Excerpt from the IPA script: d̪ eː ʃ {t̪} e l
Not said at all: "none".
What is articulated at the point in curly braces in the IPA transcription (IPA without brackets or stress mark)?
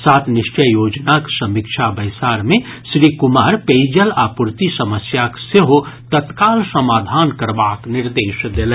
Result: d̪